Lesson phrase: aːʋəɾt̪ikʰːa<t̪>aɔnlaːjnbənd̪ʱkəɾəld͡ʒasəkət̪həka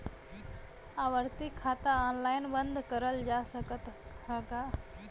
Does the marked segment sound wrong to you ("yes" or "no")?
no